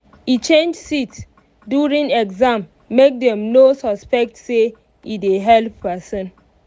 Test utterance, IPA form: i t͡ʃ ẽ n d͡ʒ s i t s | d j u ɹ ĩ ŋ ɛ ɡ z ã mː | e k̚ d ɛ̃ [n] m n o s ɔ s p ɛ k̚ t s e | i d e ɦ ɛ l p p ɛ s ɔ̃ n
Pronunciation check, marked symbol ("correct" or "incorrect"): incorrect